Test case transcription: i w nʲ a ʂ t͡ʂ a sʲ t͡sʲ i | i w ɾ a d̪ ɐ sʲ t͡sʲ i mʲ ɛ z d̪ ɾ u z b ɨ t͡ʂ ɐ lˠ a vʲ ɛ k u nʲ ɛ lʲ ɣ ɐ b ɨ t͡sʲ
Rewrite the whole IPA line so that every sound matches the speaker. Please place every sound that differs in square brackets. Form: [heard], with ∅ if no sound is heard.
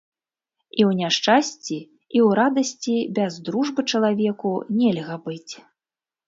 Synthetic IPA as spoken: i w nʲ a ʂ t͡ʂ a sʲ t͡sʲ i | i w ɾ a d̪ ɐ sʲ t͡sʲ i [bʲ] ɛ z d̪ ɾ u [ʐ] b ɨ t͡ʂ ɐ lˠ a vʲ ɛ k u nʲ ɛ lʲ ɣ ɐ b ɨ t͡sʲ